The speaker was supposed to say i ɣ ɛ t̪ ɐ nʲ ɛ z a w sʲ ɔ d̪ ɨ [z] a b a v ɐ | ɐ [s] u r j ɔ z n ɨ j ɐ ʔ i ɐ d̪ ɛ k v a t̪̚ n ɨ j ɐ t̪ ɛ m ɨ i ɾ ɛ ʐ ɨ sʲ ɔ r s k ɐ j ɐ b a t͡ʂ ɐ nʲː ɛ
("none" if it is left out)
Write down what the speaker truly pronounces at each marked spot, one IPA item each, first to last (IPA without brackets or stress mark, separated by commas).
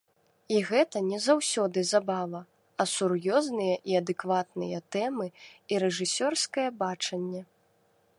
z, s